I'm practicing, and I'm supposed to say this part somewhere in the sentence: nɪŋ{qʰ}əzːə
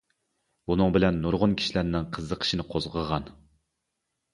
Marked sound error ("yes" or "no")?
no